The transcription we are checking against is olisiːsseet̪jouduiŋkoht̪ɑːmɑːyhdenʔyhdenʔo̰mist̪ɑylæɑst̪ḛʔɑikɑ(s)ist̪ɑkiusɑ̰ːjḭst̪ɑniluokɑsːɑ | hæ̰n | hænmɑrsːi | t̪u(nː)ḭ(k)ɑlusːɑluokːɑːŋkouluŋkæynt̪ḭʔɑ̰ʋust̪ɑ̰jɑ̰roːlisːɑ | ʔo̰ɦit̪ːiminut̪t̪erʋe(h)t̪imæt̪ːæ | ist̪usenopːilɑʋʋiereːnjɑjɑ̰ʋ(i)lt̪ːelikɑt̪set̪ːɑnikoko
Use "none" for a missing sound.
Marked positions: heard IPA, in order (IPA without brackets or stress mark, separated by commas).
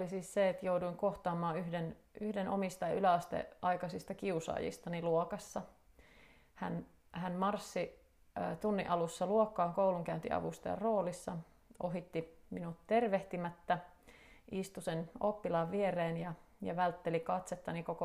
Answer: s, nː, ʔ, h, æ